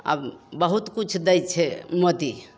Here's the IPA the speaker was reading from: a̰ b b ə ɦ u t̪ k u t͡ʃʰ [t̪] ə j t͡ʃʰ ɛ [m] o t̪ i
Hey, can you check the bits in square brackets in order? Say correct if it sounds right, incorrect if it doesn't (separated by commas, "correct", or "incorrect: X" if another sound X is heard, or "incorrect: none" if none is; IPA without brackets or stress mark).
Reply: incorrect: d̪, correct